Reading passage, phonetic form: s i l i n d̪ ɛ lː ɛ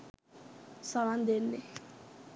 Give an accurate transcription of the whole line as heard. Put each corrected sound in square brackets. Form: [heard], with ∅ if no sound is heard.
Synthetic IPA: s [a] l [a] n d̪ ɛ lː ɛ